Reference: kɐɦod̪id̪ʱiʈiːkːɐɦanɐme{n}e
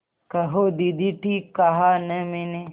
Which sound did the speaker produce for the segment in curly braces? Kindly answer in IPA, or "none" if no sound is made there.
n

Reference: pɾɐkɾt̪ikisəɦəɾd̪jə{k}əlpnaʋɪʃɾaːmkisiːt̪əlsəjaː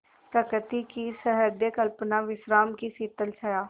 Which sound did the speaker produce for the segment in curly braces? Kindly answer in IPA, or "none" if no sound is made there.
k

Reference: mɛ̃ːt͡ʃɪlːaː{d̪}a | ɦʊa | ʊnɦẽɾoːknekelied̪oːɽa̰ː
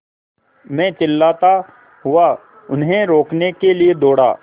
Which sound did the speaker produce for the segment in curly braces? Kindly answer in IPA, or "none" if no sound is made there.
t̪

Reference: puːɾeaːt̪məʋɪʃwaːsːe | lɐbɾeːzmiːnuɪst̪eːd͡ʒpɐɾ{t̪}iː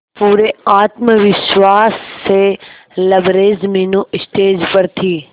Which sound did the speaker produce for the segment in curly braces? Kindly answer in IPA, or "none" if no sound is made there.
t̪ʰ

